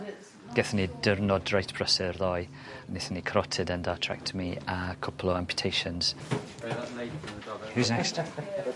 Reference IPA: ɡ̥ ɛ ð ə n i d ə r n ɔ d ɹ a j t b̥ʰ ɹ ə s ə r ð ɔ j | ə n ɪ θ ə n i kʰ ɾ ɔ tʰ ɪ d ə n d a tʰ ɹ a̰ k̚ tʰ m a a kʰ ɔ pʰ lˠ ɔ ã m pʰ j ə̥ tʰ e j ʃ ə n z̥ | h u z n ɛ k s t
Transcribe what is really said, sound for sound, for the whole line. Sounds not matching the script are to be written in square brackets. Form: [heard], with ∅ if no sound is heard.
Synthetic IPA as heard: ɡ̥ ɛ [θ] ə n i d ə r n ɔ d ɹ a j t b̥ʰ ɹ ə s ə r ð ɔ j | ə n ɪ θ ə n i kʰ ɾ ɔ tʰ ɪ d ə n d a tʰ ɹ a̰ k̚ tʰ m [i] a kʰ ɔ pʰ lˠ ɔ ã m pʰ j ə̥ tʰ e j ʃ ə n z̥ | h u z n ɛ k s t